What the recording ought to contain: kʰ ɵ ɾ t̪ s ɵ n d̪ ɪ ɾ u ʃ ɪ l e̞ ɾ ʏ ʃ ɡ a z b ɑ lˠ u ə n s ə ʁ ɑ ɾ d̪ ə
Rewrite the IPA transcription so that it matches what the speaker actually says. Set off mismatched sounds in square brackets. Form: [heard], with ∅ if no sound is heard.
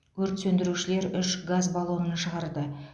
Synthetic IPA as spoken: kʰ ɵ ɾ t̪ s ɵ n d̪ ɪ ɾ u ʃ ɪ l e̞ ɾ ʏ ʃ ɡ a z b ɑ lˠ u ə n [ʃ] ə ʁ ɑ ɾ d̪ ə

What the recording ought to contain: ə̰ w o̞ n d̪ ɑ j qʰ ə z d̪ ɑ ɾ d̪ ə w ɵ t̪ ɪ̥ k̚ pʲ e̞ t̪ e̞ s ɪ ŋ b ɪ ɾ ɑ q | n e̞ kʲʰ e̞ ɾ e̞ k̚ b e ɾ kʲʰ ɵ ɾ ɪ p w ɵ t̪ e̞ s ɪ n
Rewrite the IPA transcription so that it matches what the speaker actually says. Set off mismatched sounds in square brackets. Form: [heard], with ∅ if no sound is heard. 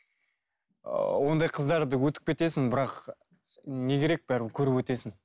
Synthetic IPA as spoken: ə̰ w o̞ n d̪ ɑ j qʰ ə z d̪ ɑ ɾ d̪ ə w ɵ t̪ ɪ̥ k̚ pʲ e̞ t̪ e̞ s ɪ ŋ b ɪ ɾ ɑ q | n e̞ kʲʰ e̞ ɾ e̞ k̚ b [æ] ɾ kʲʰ ɵ ɾ ɪ p w ɵ t̪ e̞ s ɪ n

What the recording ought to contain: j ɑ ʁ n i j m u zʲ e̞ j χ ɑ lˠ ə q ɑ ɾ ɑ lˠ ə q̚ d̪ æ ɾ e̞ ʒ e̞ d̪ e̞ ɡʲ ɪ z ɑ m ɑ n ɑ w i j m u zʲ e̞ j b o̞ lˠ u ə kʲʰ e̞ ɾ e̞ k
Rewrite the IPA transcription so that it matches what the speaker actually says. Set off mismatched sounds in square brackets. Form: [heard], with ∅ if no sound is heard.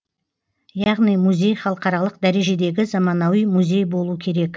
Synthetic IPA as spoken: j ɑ ʁ n i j m u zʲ e̞ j χ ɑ lˠ ə q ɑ ɾ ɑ lˠ ə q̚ d̪ æ ɾ e̞ ʒ e̞ d̪ e̞ ɡʲ ɪ z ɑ m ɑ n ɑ w i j m u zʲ e̞ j b o̞ lˠ u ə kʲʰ e̞ ɾ e̞ k

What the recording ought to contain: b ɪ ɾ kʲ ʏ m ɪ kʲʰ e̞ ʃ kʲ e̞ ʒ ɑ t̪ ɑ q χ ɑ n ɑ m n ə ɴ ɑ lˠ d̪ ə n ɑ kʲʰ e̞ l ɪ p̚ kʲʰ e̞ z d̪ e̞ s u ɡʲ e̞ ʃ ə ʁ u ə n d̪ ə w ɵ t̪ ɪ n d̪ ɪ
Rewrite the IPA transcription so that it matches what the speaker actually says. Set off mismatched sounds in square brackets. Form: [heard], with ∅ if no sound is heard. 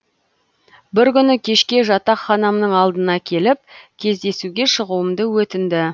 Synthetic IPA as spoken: b ɪ ɾ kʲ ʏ [n] ɪ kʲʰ e̞ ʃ kʲ e̞ ʒ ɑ t̪ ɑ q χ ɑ n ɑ m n ə ɴ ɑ lˠ d̪ ə n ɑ kʲʰ e̞ l ɪ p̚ kʲʰ e̞ z d̪ e̞ s u ɡʲ e̞ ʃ ə ʁ u ə [m] d̪ ə w ɵ t̪ ɪ n d̪ ɪ

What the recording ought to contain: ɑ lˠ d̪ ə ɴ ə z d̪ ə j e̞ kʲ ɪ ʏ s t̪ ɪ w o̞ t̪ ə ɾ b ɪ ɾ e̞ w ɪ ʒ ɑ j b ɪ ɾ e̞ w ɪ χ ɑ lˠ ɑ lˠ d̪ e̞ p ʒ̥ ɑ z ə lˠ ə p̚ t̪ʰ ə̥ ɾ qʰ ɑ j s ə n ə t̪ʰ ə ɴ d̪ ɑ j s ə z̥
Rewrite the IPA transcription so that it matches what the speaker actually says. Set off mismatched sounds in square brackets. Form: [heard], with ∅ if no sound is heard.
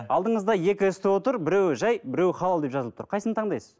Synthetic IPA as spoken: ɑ lˠ d̪ ə ɴ ə z d̪ [ɑ] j e̞ kʲ ɪ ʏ s t̪ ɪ w o̞ t̪ ə ɾ b ɪ ɾ e̞ w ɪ ʒ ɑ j b ɪ ɾ e̞ w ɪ χ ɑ lˠ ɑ lˠ d̪ e̞ p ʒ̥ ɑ z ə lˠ ə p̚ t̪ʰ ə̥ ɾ qʰ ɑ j s ə n ə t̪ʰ [ɑ] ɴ d̪ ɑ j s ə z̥

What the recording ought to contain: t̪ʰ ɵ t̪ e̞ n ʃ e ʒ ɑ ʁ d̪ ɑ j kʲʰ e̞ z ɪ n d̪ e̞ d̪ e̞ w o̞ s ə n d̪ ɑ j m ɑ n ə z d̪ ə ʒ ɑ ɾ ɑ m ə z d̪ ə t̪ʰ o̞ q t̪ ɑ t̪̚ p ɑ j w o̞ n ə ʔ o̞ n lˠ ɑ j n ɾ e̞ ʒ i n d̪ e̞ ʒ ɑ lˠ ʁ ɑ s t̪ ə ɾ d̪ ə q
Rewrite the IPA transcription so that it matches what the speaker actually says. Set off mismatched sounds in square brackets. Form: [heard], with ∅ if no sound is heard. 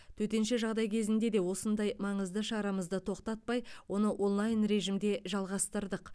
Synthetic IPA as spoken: t̪ʰ ɵ t̪ e̞ n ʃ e ʒ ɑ ʁ d̪ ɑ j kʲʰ e̞ z ɪ n d̪ e̞ d̪ e̞ w o̞ s ə n d̪ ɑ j m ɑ [ɴ] ə z d̪ ə [ʃ] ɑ ɾ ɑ m ə z d̪ ə t̪ʰ o̞ q t̪ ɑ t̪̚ p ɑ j w o̞ n ə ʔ o̞ n lˠ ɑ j n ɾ e̞ ʒ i [m] d̪ e̞ ʒ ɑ lˠ ʁ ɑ s t̪ ə ɾ d̪ ə q

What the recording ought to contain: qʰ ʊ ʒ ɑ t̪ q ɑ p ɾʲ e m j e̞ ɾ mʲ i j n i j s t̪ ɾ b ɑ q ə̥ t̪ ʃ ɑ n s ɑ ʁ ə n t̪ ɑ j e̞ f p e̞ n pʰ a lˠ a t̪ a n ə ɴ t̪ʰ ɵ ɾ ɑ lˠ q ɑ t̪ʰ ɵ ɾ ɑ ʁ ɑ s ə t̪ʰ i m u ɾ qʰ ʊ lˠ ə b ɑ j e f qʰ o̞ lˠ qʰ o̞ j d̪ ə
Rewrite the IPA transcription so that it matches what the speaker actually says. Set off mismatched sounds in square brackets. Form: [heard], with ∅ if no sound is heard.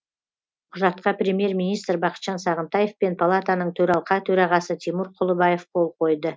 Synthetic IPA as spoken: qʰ ʊ ʒ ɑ t̪ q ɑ p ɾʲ e m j e̞ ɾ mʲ i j n i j s t̪ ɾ b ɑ q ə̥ t̪ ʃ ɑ n s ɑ ʁ ə n t̪ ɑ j e̞ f p e̞ n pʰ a lˠ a t̪ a n ə ɴ t̪ʰ ɵ ɾ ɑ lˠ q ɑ t̪ʰ ɵ ɾ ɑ ʁ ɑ s ə t̪ʰ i m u ɾ qʰ ʊ lˠ ə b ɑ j e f qʰ o̞ lˠ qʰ o̞ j d̪ ə

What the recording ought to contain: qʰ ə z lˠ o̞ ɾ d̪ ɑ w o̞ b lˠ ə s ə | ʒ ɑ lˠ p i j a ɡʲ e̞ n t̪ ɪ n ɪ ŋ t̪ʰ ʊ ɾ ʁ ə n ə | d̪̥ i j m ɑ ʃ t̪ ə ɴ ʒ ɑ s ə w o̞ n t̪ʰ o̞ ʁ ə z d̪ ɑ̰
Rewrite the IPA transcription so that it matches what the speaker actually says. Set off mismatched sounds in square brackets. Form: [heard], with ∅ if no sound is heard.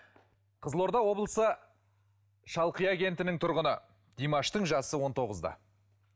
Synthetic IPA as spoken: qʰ ə z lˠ o̞ ɾ d̪ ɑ w o̞ b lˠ ə s ə | [ʃ] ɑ lˠ [q] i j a ɡʲ e̞ n t̪ ɪ n ɪ ŋ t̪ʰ ʊ ɾ ʁ ə n ə | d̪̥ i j m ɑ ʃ t̪ ə ɴ ʒ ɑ s ə w o̞ n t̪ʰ o̞ ʁ ə z d̪ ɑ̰

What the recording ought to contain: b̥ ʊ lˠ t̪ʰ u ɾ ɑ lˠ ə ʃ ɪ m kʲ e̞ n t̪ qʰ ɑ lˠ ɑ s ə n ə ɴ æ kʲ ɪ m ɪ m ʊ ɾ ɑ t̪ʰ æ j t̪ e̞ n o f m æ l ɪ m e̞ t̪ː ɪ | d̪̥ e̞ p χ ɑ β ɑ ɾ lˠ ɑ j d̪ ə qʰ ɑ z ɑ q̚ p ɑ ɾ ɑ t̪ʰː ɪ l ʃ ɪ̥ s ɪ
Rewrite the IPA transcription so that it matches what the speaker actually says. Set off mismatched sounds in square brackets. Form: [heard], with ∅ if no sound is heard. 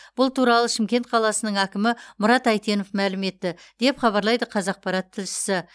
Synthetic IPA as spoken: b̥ ʊ lˠ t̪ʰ u ɾ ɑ lˠ ə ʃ ɪ m kʲ e̞ n t̪ qʰ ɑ lˠ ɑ s ə n ə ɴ æ kʲ ɪ m ɪ m ʊ ɾ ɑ [t̪] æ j t̪ e̞ n o f m æ l ɪ m e̞ t̪ː ɪ | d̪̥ e̞ p χ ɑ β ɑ ɾ lˠ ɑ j d̪ ə qʰ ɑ z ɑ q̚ p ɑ ɾ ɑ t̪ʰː ɪ l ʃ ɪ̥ s ɪ

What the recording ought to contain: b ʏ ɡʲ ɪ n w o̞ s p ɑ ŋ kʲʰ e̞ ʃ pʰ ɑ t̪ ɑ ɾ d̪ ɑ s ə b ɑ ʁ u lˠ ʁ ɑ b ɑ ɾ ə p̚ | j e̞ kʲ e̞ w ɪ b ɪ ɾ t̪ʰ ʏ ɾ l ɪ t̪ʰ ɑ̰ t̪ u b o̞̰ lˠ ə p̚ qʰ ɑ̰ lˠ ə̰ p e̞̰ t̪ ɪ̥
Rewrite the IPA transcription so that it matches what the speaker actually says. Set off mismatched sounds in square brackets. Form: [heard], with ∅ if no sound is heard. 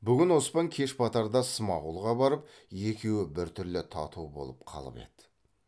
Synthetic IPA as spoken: b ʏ ɡʲ ɪ n w o̞ s p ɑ ŋ kʲʰ e̞ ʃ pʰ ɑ t̪ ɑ ɾ d̪ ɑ s ə [m] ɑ ʁ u lˠ ʁ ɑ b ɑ ɾ ə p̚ | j e̞ kʲ e̞ w ɪ b ɪ ɾ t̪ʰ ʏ ɾ l ɪ t̪ʰ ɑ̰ t̪ u b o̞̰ lˠ ə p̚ qʰ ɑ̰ lˠ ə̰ p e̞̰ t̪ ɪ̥

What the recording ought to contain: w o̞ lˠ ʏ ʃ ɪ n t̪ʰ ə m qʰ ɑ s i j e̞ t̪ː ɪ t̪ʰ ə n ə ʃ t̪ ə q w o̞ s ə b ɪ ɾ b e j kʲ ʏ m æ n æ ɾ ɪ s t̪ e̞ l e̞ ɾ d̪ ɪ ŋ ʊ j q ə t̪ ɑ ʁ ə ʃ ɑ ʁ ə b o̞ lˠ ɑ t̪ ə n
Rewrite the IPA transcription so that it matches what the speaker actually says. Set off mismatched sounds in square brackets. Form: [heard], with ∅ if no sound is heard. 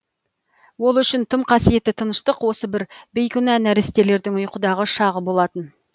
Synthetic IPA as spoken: w o̞ lˠ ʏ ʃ ɪ n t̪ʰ ə m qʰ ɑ s i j e̞ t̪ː ɪ t̪ʰ ə n ə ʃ t̪ ə q w o̞ s ə b ɪ ɾ b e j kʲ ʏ [n] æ n æ ɾ ɪ s t̪ e̞ l e̞ ɾ d̪ ɪ ŋ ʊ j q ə [d̪] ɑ ʁ ə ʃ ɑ ʁ ə b o̞ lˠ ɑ t̪ ə n

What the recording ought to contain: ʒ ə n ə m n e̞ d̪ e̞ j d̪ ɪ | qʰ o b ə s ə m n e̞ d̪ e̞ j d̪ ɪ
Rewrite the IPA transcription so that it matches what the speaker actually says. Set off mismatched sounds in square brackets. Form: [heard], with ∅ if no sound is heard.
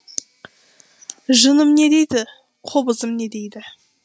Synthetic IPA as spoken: ʒ ə n ə m n e̞ d̪ e̞ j d̪ ɪ | qʰ o b ə [z] ə m n e̞ d̪ e̞ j d̪ ɪ

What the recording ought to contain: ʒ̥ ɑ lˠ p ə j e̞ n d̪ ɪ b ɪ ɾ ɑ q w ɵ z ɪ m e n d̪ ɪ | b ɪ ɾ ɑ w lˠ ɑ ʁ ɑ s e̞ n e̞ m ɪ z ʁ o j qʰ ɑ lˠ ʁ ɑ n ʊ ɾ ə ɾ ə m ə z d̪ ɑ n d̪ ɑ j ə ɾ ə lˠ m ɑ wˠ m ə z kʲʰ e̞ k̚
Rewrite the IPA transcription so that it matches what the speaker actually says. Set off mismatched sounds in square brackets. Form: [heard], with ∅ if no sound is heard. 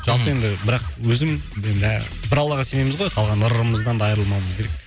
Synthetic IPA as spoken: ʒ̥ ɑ lˠ p ə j e̞ n d̪ ɪ b ɪ ɾ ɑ q w ɵ z ɪ m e n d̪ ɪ | b ɪ ɾ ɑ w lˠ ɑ ʁ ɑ s e̞ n e̞ m ɪ z ʁ o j qʰ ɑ lˠ ʁ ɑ n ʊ ɾ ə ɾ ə m ə z d̪ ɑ n d̪ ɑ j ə ɾ ə lˠ m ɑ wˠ m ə z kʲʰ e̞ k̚

